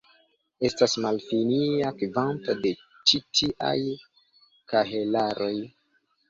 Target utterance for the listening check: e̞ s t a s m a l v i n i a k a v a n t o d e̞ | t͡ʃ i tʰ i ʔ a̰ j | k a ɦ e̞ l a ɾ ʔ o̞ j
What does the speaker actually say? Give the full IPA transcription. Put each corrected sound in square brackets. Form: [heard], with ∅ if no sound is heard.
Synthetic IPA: e̞ s t a s m a l [f] i n i a k [i] v a n t o d e̞ | t͡ʃ i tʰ i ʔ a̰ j | k a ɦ e̞ l a ɾ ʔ o̞ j